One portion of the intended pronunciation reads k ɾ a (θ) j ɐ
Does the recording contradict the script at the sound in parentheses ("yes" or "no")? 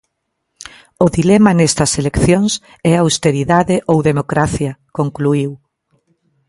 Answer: no